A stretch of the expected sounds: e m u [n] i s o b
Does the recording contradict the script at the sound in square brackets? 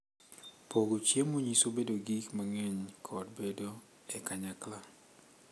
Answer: yes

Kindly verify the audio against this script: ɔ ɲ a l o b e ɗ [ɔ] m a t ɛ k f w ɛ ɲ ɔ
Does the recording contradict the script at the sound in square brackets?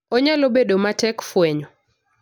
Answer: yes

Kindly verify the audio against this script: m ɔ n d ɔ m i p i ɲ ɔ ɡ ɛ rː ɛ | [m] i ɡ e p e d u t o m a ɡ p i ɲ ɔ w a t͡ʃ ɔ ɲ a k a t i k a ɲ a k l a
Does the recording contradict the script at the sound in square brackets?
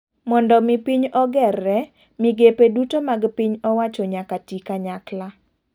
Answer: no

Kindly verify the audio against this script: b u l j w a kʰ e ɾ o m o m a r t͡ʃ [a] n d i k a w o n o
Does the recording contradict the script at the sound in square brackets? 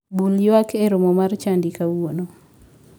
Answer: no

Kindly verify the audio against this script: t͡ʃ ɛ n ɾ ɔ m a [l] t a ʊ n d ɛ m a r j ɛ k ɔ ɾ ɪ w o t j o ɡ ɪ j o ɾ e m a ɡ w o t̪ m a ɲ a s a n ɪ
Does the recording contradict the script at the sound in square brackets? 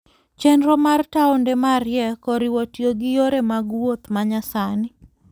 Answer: yes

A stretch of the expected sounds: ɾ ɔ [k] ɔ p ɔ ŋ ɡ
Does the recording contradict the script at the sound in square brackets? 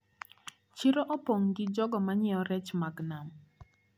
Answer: yes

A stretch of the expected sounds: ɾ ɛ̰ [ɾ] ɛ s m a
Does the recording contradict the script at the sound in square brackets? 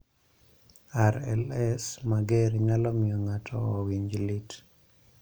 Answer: yes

